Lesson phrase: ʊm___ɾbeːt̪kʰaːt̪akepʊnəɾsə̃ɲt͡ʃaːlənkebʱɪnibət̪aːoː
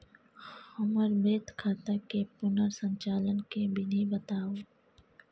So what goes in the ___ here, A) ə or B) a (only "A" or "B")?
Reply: A